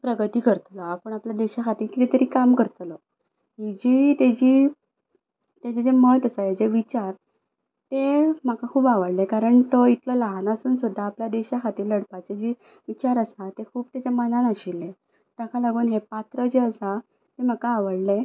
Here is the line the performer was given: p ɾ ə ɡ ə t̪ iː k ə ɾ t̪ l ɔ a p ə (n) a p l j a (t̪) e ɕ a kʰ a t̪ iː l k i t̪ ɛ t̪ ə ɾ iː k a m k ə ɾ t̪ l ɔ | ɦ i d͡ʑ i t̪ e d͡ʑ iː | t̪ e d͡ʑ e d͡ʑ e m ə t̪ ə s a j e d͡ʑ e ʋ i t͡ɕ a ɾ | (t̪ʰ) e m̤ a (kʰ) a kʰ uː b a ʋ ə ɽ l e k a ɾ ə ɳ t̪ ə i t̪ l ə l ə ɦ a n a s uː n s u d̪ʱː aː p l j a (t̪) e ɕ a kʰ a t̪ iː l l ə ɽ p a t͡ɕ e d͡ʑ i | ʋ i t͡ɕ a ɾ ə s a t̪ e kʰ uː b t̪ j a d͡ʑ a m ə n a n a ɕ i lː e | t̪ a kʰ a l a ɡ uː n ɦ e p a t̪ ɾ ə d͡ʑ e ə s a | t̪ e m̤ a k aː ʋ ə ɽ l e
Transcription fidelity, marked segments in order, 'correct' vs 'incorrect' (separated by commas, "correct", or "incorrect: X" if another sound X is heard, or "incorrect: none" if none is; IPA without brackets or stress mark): incorrect: ɳ, incorrect: d̪, incorrect: t̪, incorrect: k, incorrect: d̪